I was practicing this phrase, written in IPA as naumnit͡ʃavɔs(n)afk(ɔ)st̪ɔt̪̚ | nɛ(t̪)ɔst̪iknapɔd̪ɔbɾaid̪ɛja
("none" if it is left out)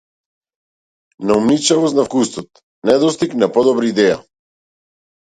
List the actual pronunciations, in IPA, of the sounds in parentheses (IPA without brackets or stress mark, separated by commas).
n, u, d̪